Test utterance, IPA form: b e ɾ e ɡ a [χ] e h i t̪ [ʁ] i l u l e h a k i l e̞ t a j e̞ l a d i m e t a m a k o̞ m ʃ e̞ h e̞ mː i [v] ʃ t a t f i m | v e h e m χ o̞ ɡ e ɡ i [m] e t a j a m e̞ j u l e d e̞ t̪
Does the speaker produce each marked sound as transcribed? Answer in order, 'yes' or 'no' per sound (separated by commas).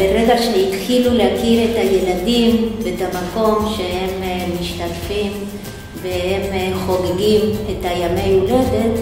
no, no, no, yes